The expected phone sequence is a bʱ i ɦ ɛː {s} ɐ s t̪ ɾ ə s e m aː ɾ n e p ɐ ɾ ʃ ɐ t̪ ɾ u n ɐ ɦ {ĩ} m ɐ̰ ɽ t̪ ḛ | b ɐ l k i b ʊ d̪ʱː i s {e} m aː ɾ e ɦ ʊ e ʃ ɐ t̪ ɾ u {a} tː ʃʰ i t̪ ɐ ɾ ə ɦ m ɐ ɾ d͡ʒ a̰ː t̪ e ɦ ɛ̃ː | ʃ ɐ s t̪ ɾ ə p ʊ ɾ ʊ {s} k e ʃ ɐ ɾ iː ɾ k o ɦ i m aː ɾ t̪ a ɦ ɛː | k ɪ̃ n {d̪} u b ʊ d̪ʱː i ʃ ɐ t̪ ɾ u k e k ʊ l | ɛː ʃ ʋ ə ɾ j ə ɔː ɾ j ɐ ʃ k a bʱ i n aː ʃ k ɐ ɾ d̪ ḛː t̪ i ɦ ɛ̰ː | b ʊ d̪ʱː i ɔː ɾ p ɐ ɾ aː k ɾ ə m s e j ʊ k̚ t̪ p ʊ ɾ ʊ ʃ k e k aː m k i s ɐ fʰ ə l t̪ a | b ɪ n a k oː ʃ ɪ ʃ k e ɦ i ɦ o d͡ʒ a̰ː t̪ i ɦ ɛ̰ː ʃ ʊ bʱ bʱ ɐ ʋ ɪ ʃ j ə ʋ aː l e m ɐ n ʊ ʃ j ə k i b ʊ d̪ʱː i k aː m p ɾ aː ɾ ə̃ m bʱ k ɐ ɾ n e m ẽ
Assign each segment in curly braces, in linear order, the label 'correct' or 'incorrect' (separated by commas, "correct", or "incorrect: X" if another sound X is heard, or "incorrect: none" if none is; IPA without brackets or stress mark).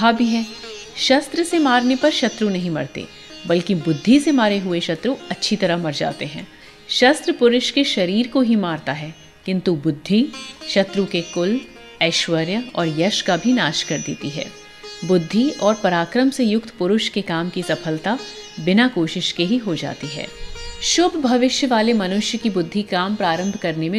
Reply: incorrect: ʃ, correct, correct, incorrect: ɐ, incorrect: ʃ, incorrect: t̪